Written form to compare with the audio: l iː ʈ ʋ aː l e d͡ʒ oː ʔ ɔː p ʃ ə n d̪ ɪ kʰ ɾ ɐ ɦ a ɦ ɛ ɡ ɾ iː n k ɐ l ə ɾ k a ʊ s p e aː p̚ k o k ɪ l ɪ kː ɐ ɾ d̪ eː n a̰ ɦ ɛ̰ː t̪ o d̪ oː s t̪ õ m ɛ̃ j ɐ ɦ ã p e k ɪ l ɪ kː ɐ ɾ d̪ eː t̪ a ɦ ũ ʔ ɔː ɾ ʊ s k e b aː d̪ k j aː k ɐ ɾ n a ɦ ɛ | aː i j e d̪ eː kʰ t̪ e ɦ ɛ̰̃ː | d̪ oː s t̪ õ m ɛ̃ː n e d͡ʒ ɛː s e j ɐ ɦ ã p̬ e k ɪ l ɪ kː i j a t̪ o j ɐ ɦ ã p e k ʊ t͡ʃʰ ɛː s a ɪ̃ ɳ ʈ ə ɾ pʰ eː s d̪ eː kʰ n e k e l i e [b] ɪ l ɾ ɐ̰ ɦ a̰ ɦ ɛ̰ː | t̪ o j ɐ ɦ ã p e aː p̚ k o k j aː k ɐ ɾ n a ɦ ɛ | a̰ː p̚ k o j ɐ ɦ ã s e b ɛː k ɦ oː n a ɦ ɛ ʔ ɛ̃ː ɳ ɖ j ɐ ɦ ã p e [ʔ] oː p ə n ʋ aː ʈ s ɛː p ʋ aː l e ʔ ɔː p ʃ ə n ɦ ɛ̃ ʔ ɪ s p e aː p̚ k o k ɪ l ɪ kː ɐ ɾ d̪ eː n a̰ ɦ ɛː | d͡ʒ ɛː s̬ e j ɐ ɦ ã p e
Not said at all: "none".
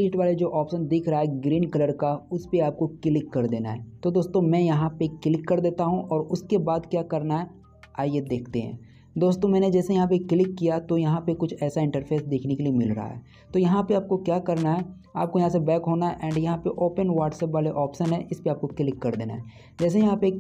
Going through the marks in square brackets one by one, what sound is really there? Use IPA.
m, ʔ

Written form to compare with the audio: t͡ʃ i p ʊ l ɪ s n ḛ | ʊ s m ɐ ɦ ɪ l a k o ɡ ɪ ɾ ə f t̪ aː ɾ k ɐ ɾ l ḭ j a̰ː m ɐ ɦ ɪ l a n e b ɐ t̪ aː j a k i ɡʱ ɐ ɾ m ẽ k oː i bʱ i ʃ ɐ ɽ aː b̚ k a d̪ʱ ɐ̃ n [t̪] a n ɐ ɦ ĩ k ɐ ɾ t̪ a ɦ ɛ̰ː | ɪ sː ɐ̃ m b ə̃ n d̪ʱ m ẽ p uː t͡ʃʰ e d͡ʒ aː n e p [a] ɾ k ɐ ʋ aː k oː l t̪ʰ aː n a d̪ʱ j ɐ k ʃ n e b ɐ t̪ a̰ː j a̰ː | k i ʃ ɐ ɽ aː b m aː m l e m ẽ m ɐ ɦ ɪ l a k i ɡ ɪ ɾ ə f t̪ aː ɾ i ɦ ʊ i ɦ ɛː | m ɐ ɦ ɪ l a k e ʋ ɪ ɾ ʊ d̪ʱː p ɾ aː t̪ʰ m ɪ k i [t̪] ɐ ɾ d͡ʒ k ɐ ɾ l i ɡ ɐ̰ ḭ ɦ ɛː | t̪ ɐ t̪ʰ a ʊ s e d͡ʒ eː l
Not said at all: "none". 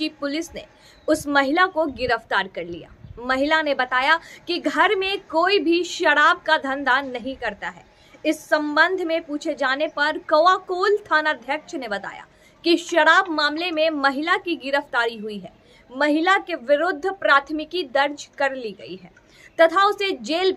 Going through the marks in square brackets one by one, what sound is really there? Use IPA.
d̪, ɐ, d̪

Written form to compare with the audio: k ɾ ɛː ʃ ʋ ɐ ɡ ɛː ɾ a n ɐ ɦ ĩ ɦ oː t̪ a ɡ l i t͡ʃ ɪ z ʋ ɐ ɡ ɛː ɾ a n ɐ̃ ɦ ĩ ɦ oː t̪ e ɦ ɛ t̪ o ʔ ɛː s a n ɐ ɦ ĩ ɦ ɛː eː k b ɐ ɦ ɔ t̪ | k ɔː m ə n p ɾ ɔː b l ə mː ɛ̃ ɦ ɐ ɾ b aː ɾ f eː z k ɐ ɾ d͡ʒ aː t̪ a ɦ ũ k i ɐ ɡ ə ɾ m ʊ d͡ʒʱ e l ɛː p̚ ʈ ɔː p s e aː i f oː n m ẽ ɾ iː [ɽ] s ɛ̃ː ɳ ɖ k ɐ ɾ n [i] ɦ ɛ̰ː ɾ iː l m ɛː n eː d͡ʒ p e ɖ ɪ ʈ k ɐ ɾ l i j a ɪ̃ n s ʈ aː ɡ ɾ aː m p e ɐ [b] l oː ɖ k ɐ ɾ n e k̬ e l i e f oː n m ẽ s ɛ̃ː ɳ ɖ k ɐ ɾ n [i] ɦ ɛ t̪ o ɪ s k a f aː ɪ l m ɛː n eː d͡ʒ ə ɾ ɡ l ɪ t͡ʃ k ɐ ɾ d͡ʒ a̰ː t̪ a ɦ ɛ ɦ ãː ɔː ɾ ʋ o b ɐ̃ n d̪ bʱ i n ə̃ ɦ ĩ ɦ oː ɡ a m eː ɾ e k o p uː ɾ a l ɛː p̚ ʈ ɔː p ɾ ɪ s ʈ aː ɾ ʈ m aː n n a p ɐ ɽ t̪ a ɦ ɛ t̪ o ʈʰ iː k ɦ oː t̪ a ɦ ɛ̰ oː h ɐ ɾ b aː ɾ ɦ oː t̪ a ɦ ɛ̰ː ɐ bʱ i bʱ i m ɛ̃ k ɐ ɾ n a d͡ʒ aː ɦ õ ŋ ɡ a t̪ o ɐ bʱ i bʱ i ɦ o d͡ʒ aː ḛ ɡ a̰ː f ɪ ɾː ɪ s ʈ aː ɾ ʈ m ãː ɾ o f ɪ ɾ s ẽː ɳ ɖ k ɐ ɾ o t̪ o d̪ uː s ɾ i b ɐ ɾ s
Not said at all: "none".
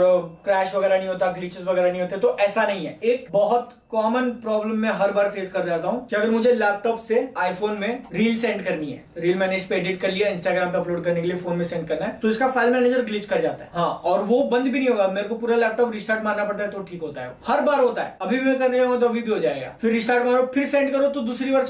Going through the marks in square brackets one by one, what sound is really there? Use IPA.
l, i, p, a

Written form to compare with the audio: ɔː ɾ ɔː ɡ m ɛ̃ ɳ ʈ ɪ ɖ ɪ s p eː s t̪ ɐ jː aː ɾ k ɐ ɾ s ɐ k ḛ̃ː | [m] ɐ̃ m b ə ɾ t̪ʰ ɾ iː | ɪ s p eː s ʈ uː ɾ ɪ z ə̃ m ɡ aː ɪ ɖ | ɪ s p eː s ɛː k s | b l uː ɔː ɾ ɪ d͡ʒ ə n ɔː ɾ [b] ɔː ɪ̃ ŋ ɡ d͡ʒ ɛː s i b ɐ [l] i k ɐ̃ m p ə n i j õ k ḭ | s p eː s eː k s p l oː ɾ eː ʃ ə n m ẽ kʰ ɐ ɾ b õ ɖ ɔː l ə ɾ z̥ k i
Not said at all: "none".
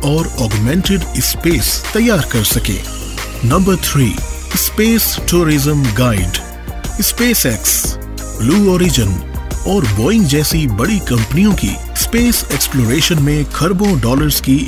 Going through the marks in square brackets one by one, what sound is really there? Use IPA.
n, b, ɽ

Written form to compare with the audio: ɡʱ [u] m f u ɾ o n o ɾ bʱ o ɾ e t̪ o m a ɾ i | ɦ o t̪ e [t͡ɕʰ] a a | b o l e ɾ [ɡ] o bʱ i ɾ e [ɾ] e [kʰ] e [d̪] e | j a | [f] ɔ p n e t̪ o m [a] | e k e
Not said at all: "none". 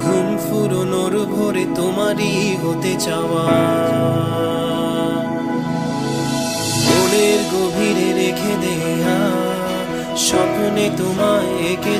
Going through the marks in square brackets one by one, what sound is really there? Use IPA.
u, t͡ɕ, ɡ, ɾ, kʰ, d̪, ʃ, a

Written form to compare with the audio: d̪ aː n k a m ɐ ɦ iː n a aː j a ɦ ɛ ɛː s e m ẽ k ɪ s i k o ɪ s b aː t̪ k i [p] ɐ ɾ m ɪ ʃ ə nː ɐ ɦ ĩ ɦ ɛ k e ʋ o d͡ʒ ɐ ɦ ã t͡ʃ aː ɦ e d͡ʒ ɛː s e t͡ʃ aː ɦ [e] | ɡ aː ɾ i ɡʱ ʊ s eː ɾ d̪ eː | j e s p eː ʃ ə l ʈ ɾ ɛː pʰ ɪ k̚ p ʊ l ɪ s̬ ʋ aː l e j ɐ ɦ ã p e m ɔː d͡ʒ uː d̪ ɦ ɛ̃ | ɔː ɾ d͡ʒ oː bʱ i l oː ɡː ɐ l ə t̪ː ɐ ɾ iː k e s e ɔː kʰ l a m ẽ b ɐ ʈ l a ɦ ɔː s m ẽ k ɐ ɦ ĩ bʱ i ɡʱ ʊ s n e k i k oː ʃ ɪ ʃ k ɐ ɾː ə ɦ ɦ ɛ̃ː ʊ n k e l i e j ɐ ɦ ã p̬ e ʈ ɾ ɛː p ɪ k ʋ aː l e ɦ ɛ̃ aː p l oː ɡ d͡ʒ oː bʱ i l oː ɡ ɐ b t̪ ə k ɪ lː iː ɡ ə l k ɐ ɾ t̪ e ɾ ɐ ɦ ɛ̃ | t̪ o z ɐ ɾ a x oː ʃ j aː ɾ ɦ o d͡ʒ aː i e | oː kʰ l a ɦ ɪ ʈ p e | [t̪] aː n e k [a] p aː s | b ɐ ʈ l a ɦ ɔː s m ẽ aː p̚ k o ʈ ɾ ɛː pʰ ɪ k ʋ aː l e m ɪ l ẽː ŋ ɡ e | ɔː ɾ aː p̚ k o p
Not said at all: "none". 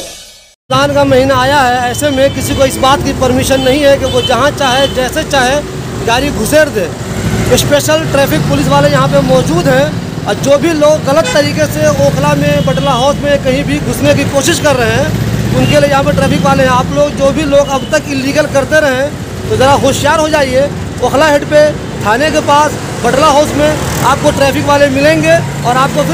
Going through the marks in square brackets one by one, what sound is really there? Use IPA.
p, e, t̪ʰ, e

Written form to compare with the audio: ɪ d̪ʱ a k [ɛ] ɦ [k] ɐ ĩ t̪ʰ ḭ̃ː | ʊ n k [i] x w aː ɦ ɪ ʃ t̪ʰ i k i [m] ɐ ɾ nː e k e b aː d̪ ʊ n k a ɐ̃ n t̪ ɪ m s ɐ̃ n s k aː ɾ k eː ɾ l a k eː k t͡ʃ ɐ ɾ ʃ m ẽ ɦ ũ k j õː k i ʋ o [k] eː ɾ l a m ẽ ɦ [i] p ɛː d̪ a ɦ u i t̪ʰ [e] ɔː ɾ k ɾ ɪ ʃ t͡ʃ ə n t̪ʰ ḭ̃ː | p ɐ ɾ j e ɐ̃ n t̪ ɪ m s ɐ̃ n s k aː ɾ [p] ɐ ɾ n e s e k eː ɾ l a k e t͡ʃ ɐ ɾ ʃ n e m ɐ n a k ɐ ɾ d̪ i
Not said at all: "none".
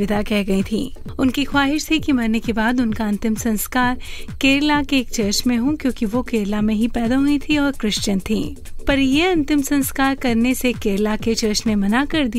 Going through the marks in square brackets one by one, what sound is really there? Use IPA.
ɛ, ɡ, i, m, k, i, i, k

